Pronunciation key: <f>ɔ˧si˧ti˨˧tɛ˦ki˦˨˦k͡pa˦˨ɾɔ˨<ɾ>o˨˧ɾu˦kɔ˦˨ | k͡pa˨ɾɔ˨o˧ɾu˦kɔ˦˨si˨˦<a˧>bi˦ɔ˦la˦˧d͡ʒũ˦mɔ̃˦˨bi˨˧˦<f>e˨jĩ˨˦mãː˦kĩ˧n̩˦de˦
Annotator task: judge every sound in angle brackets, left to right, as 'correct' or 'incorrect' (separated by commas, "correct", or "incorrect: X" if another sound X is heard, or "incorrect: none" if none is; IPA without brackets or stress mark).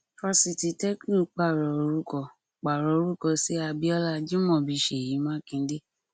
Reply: correct, incorrect: none, correct, incorrect: ʃ